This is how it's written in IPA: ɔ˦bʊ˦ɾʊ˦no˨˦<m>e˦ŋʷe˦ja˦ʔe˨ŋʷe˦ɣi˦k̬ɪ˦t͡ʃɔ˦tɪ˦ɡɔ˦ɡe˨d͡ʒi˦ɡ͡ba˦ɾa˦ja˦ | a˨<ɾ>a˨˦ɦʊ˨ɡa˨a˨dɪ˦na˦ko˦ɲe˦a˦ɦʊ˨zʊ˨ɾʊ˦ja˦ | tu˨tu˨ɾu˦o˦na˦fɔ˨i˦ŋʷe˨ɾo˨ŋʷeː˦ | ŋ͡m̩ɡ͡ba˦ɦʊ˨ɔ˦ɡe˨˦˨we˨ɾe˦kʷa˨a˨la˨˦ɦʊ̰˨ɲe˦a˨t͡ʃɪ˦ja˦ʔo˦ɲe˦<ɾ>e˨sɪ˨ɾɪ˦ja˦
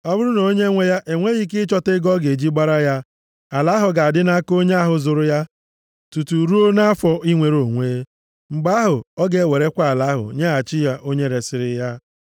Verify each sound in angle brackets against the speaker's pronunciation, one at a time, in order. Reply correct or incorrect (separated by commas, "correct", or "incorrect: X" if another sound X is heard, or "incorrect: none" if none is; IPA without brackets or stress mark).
incorrect: ɲ, incorrect: l, correct